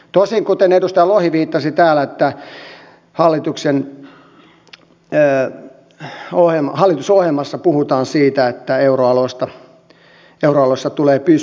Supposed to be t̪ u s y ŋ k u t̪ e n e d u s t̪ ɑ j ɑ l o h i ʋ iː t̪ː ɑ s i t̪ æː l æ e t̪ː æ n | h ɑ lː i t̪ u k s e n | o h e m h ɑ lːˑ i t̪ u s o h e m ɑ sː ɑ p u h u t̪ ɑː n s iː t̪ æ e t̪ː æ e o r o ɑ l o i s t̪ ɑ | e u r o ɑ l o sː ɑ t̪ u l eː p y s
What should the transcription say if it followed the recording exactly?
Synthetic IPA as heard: t̪ o s i ŋ k u t̪ e n e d u s t̪ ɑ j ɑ l o h i ʋ iː t̪ː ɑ s i t̪ æː l æ e t̪ː æ | h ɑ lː i t̪ u k s e n | o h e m h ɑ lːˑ i t̪ u s o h e m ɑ sː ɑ p u h u t̪ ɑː n s iː t̪ æ e t̪ː æ e u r o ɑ l o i s t̪ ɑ | e u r o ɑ l o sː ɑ t̪ u l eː p y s